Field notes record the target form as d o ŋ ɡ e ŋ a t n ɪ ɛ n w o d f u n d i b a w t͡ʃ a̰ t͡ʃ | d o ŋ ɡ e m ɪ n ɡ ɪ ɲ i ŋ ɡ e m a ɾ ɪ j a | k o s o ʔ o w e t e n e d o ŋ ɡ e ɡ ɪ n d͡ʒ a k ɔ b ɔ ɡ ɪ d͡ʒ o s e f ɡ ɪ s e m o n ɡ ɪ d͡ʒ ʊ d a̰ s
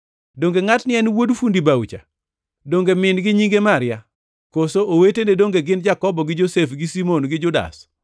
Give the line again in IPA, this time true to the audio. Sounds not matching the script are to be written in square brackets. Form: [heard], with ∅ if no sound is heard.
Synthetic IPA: d o ŋ ɡ e ŋ a t n ɪ ɛ n w o d f u n d i b a w t͡ʃ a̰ [∅] | d o ŋ ɡ e m ɪ n ɡ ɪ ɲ i ŋ ɡ e m a ɾ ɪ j a | k o s o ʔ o w e t e n e d o ŋ ɡ e ɡ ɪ n d͡ʒ a k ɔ b ɔ ɡ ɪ d͡ʒ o s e f ɡ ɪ s [i] m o n ɡ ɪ d͡ʒ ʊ d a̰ s